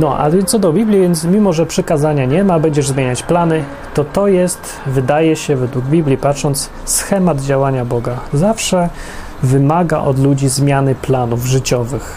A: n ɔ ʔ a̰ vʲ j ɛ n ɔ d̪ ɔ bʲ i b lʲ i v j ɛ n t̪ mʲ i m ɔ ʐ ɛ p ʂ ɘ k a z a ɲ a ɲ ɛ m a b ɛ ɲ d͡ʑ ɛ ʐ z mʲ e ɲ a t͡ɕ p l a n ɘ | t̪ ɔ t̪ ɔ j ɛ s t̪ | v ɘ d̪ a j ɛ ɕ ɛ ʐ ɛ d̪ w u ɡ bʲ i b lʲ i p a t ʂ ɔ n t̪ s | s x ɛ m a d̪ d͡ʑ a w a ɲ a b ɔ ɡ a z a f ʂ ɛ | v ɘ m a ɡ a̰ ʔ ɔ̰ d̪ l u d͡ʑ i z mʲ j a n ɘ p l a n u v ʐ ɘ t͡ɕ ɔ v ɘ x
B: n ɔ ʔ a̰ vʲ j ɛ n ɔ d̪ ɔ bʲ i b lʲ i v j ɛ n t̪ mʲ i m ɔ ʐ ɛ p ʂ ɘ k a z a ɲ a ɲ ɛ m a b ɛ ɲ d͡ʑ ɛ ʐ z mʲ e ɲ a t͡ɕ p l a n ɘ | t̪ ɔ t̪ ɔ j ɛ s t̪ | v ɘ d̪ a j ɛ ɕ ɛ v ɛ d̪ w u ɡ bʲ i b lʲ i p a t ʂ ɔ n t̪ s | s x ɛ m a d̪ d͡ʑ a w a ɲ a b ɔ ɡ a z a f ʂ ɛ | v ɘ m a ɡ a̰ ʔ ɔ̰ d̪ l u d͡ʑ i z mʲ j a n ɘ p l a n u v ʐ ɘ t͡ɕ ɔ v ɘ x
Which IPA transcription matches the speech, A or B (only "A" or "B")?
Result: B